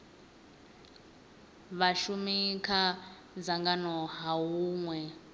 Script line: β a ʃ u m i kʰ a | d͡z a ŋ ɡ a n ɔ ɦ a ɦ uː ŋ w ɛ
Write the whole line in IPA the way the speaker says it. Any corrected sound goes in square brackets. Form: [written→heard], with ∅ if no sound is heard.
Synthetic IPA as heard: β a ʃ u m i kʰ a | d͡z a ŋ ɡ a n ɔ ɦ a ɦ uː ŋ w ɛ